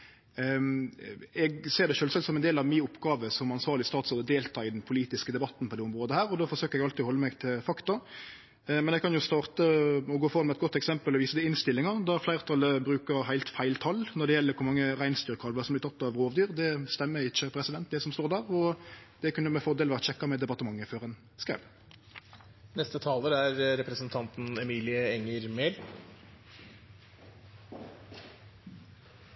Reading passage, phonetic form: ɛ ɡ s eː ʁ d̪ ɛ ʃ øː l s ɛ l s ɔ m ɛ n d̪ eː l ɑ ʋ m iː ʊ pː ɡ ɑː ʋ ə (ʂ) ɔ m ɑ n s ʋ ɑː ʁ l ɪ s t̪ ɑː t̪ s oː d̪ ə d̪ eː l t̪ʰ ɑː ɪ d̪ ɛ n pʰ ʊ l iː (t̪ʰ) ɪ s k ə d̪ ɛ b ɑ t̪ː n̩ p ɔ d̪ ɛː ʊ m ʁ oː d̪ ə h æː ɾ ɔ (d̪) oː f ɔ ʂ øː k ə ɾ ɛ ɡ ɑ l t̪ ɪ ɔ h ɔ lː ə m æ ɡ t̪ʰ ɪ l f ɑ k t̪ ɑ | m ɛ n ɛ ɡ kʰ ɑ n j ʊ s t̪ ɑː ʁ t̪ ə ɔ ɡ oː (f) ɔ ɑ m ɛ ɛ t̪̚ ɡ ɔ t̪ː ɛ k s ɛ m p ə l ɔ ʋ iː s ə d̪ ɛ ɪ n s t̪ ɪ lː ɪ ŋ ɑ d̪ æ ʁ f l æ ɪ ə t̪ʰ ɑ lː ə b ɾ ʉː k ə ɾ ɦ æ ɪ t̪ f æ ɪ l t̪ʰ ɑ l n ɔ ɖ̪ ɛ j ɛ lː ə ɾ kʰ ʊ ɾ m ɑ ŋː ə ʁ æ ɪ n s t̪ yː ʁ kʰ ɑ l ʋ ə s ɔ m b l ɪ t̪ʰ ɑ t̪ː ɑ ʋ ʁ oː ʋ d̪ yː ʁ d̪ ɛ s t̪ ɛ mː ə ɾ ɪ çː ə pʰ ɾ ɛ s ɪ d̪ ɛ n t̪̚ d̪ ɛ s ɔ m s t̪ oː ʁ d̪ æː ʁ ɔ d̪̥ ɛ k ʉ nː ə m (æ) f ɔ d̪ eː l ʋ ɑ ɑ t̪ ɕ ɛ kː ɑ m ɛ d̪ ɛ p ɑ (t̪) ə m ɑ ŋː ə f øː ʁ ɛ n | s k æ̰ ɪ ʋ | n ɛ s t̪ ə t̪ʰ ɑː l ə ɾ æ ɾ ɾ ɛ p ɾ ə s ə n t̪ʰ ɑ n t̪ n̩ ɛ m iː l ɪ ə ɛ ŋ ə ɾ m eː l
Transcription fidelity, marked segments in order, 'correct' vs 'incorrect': incorrect: s, incorrect: t̪, correct, correct, incorrect: ɛ, correct

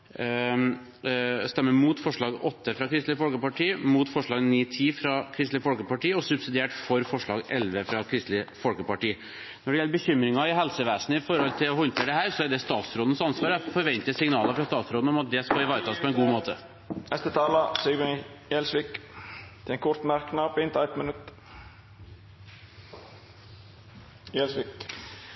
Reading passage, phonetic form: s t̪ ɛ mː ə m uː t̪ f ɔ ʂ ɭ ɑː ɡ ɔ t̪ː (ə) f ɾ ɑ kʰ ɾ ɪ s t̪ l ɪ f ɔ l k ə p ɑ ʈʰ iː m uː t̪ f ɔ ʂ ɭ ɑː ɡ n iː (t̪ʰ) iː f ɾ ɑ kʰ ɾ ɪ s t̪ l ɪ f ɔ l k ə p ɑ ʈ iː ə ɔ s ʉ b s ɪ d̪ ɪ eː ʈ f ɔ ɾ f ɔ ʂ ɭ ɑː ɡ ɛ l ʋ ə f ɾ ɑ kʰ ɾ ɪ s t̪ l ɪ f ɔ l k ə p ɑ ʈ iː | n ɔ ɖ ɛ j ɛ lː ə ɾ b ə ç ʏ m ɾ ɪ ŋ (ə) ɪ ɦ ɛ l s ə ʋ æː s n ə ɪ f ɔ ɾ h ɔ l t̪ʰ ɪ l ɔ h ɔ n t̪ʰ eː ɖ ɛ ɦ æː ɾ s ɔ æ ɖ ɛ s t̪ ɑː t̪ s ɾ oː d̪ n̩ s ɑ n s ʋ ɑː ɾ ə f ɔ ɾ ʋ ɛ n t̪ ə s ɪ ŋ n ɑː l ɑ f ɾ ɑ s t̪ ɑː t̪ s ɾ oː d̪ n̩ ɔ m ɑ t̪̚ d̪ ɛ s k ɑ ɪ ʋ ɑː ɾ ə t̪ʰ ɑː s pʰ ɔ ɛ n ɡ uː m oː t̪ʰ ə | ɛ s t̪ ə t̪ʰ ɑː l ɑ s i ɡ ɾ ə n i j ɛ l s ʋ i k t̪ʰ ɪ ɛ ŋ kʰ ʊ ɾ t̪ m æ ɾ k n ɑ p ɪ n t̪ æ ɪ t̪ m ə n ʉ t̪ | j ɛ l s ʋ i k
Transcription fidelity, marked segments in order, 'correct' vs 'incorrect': correct, correct, incorrect: ɑ

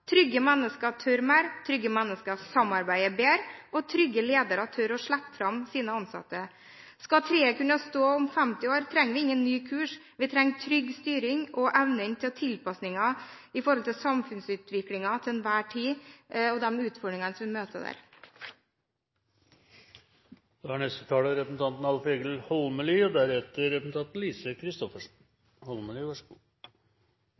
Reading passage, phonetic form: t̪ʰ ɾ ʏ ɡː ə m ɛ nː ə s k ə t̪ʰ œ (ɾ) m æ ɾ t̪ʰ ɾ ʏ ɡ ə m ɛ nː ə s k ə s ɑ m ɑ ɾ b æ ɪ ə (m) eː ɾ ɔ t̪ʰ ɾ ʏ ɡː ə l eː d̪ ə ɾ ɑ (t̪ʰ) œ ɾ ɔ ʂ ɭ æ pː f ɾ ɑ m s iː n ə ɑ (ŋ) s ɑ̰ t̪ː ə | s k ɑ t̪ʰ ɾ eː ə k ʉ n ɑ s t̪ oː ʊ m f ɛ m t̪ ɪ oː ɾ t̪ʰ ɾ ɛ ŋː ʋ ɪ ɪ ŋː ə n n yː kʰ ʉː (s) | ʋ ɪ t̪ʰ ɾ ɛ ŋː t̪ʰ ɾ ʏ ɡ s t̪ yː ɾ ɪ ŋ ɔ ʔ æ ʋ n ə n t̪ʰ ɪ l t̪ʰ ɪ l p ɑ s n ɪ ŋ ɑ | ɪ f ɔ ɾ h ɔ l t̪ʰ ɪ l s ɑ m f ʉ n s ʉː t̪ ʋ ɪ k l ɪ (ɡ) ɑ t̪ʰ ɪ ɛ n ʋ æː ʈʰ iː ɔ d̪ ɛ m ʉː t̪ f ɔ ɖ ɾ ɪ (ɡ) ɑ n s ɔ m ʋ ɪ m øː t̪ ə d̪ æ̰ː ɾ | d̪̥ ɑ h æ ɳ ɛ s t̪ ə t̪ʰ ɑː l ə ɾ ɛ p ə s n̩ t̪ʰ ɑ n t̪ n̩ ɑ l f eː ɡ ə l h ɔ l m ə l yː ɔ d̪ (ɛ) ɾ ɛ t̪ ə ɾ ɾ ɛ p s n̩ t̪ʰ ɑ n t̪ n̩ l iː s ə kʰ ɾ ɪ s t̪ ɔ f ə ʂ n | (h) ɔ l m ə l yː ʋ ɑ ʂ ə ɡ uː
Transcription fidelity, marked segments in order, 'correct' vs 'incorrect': correct, incorrect: b, correct, incorrect: n, incorrect: ʂ, incorrect: ŋ, incorrect: ŋ, incorrect: æ, correct

